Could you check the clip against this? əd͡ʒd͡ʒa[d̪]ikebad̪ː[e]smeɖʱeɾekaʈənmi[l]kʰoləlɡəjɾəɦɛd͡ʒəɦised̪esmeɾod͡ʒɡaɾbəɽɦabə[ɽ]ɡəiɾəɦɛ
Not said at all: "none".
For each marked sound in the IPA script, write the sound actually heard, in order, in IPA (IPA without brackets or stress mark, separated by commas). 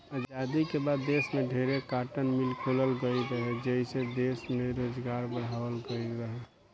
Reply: d̪, e, l, l